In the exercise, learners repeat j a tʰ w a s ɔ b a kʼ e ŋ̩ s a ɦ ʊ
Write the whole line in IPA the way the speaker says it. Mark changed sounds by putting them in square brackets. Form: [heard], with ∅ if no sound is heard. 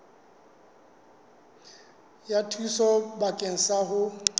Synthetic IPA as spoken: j a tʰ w [i] s ɔ b a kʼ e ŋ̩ s a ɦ ʊ